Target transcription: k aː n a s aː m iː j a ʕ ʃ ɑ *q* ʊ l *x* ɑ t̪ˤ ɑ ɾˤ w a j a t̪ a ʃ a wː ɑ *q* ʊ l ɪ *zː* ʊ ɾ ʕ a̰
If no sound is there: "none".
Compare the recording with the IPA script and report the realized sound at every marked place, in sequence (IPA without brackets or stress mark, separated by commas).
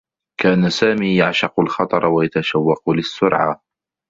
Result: q, x, q, sː